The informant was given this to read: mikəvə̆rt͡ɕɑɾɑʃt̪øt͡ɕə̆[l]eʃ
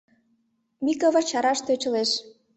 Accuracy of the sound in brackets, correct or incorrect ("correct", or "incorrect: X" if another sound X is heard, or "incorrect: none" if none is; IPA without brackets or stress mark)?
correct